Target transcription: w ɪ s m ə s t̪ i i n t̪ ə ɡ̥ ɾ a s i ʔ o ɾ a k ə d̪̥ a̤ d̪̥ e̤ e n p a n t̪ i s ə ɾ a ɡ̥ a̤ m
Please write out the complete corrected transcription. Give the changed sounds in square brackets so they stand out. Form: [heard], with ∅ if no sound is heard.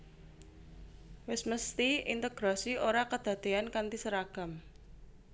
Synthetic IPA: w ɪ s m ə s t̪ i i n t̪ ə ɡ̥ ɾ a s i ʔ o ɾ a k ə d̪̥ a̤ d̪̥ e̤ [a] n [k] a n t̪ i s ə ɾ a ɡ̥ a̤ m